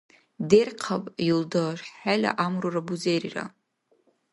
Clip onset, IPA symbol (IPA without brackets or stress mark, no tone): d